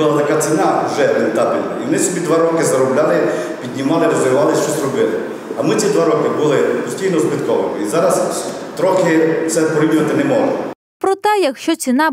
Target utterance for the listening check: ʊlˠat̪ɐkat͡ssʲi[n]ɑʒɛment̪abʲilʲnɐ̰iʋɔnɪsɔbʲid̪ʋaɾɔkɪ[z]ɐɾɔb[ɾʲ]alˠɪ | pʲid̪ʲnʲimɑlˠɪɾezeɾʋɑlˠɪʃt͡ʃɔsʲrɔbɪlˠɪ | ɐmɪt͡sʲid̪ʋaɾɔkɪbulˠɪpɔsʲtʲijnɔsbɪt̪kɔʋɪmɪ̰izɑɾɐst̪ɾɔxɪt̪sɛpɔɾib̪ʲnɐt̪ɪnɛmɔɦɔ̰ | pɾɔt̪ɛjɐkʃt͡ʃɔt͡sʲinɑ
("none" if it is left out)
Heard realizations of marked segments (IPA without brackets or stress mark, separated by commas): n, z, lʲ